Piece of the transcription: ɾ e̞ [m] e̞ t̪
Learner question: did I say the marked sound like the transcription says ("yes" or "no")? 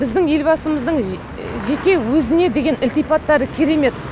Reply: yes